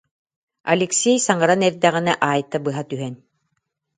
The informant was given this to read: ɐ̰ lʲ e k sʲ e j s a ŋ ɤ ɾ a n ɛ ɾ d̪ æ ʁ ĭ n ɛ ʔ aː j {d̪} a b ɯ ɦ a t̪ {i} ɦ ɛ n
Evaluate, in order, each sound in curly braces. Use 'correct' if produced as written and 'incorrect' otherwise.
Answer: incorrect: t̪, incorrect: y

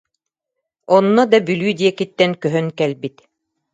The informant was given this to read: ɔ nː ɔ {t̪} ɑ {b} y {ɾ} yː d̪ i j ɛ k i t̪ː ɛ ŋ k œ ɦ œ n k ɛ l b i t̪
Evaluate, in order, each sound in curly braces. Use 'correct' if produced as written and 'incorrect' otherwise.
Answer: incorrect: d̪, correct, incorrect: l

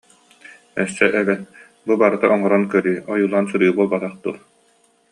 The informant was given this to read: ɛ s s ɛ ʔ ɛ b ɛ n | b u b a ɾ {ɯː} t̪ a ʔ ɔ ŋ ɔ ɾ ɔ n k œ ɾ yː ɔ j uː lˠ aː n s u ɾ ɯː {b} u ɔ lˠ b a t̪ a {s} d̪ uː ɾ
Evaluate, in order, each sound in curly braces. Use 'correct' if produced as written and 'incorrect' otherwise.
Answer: incorrect: ɯ, correct, incorrect: χ

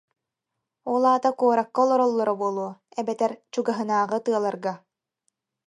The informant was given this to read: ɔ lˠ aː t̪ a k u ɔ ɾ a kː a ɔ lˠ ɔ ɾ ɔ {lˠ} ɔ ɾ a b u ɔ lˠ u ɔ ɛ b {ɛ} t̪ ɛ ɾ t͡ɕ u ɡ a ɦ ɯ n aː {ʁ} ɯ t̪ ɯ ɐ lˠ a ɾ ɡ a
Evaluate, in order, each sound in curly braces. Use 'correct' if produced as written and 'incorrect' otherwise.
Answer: incorrect: lˠː, correct, correct

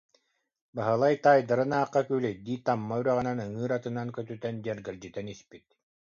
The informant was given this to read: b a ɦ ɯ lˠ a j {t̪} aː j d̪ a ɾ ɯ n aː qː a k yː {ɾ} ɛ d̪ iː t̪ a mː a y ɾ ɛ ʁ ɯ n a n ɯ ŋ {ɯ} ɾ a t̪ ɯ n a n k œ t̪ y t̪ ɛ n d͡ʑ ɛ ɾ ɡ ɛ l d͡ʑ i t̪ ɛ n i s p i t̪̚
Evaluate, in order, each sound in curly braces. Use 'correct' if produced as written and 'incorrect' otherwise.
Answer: correct, incorrect: l, incorrect: ɯː

